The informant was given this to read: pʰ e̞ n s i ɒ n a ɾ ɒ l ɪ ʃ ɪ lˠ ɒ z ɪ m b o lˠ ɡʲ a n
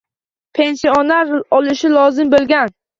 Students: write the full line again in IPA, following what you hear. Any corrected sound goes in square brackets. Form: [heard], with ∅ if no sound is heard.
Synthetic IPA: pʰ e̞ n s i [o] n a ɾ ɒ l ɪ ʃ ɪ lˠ ɒ z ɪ m b o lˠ ɡʲ a n

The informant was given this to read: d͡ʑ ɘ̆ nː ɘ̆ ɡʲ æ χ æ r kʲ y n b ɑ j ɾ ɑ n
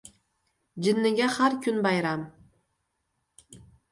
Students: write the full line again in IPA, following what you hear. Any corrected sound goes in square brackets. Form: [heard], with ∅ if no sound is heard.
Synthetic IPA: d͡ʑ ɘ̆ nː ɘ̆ ɡʲ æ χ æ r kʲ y n b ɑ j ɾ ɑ [m]

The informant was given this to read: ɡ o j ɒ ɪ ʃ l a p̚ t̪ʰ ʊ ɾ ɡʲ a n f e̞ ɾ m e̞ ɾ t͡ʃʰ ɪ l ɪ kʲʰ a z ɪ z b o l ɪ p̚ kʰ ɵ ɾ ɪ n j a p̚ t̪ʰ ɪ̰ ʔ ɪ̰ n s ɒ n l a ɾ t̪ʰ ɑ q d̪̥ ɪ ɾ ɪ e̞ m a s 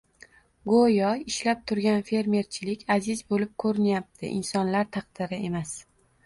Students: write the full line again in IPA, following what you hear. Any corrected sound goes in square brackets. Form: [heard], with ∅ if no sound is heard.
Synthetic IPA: ɡ o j ɒ ɪ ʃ l a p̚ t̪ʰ ʊ ɾ ɡʲ a n f e̞ ɾ m e̞ ɾ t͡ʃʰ ɪ l ɪ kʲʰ a z ɪ z b o l ɪ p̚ kʰ ɵ ɾ ɪ n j a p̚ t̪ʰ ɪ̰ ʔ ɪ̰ n s ɒ n l a ɾ t̪ʰ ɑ q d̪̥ ɪ ɾ ɪ e̞ m a s

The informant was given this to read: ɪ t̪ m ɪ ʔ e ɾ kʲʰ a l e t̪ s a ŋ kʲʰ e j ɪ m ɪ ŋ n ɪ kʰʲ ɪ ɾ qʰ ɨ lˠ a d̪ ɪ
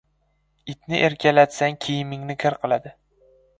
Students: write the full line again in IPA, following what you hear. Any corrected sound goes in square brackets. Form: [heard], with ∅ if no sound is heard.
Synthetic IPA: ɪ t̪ [n] ɪ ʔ e ɾ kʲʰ a l [a] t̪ s a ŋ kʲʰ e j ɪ m ɪ ŋ n ɪ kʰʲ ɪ ɾ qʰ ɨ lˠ a d̪ ɪ

